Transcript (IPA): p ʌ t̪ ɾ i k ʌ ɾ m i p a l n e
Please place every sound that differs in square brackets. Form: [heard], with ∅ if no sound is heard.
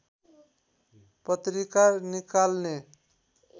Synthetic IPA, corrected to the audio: p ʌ t̪ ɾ i k [a] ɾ [n] i [k] a l n e